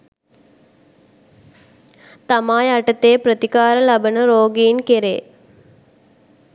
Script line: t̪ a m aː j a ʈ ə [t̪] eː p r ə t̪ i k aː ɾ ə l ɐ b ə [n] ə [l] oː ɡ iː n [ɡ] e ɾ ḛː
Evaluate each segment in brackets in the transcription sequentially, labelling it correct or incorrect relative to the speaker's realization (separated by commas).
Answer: correct, correct, incorrect, incorrect